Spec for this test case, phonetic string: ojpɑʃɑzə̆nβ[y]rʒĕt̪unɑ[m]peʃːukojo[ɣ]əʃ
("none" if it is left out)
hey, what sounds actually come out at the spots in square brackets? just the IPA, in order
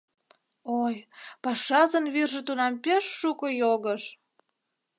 i, m, ɣ

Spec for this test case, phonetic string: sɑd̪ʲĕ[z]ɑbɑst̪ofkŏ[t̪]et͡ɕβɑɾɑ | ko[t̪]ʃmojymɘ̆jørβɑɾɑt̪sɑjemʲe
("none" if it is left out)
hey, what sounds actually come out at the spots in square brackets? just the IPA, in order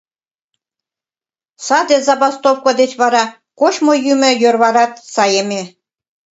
z, d̪, none

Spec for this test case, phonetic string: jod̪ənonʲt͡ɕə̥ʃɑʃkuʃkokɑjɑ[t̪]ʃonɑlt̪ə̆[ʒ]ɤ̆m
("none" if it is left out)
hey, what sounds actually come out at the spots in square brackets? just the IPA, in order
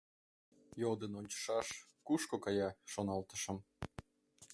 none, ʃ

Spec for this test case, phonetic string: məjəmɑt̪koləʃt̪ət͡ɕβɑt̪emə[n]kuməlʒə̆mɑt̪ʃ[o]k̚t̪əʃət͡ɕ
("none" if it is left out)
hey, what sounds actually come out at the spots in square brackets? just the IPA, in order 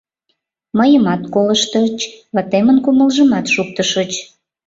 n, u

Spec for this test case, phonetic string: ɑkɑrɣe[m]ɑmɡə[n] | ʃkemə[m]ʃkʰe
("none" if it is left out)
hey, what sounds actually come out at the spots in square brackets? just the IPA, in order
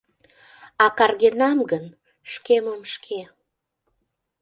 n, n, m

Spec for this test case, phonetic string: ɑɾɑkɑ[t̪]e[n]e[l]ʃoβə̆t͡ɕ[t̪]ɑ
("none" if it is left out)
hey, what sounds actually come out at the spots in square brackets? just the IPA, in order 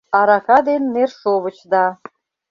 d̪, nː, r, d̪

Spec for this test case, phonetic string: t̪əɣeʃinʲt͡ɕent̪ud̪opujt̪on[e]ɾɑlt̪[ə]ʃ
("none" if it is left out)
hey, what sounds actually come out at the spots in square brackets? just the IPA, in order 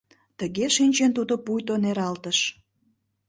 e, ə

